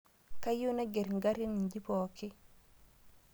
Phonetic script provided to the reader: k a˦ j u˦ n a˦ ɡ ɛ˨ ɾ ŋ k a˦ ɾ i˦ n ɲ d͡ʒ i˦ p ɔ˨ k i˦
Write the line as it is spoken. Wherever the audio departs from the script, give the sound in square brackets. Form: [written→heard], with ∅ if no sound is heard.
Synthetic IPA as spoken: k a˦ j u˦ n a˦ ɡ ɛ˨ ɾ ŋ [k→ɡ] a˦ ɾ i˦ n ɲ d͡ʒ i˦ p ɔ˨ k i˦